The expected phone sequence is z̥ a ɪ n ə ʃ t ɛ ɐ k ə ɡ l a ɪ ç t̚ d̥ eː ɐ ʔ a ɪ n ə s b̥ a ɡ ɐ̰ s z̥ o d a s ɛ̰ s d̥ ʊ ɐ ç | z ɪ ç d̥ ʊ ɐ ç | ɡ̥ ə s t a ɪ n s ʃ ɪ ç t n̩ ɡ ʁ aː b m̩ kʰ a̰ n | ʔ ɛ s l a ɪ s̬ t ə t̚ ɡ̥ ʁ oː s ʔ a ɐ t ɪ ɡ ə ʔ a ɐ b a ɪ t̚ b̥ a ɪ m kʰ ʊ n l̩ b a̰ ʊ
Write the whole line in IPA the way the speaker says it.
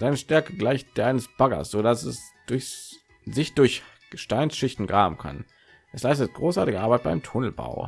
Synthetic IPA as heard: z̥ a ɪ n ə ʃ t ɛ ɐ k ə ɡ l a ɪ ç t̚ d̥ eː ɐ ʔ a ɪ n ə s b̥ a ɡ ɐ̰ s z̥ o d a s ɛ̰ s d̥ ʊ ɐ ç | z ɪ ç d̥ ʊ ɐ ç | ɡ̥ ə ʃ t a ɪ n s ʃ ɪ ç t n̩ ɡ ʁ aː b m̩ kʰ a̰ n | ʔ ɛ s l a ɪ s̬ t ə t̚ ɡ̥ ʁ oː s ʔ a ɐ t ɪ ɡ ə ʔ a ɐ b a ɪ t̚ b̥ a ɪ m tʰ ʊ n l̩ b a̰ ʊ